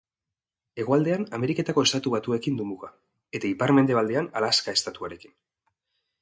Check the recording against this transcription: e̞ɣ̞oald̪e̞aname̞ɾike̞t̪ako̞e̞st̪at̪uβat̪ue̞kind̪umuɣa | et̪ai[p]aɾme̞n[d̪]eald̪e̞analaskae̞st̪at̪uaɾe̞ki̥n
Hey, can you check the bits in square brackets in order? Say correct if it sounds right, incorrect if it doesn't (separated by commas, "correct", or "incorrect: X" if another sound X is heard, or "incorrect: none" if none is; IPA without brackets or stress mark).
correct, correct